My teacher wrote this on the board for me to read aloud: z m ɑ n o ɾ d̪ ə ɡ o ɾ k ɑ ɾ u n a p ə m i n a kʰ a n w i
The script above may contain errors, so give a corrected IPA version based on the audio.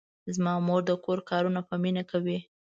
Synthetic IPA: z m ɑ m o ɾ d̪ ə k o ɾ k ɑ ɾ u n a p ə m i n a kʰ a w i